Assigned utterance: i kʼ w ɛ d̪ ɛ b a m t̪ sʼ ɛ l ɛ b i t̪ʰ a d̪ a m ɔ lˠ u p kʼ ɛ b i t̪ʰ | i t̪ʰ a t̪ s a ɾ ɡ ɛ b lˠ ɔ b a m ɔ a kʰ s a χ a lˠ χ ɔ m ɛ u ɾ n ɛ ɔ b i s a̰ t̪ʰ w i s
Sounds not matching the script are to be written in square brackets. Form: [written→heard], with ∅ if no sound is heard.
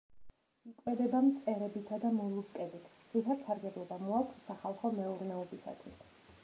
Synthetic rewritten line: i kʼ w ɛ d̪ ɛ b a m t̪ sʼ ɛ [l→ɾ] ɛ b i t̪ʰ a d̪ a m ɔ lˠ u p kʼ ɛ b i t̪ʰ | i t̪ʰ a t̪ s a ɾ ɡ ɛ b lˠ ɔ b a m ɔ a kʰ s a χ a lˠ χ ɔ m ɛ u ɾ n ɛ ɔ b i s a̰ t̪ʰ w i s